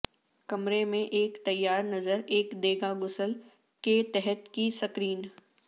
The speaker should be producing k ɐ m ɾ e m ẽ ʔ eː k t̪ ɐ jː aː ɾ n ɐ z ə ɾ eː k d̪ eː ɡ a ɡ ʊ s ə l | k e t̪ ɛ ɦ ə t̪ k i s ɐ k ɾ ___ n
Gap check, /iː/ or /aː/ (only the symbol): iː